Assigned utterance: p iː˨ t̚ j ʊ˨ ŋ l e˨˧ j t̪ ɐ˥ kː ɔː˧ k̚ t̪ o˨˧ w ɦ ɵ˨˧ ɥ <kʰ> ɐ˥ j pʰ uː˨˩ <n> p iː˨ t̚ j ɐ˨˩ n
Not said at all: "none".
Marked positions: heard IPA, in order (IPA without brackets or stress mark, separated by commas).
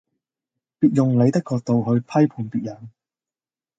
pʰ, n